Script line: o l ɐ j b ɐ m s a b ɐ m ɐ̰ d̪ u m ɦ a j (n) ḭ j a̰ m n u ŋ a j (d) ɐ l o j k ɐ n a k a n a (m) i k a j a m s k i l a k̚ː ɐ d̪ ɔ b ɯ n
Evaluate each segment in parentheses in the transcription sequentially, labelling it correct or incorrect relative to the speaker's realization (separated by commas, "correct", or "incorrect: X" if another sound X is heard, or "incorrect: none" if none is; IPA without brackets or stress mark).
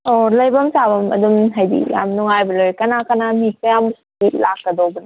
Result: incorrect: d, incorrect: b, correct